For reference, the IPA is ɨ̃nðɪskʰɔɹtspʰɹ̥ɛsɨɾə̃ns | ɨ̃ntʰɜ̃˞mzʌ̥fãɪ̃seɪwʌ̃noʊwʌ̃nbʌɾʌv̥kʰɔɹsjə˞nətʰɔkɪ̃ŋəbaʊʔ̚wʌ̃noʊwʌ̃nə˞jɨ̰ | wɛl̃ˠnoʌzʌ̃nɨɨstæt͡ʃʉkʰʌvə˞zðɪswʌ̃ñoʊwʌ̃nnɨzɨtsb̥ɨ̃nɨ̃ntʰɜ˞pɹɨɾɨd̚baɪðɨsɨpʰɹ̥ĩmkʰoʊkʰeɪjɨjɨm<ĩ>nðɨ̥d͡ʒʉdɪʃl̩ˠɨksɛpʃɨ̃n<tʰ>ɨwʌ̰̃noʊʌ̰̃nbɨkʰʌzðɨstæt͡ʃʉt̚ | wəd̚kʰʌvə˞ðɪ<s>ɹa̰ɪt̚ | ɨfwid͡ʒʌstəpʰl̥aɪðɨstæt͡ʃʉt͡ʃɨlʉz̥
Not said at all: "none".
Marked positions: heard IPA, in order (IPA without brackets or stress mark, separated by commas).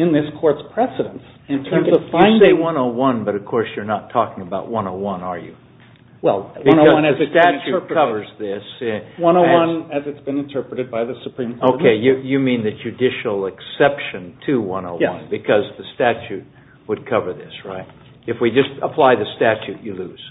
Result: ĩ, tʰ, s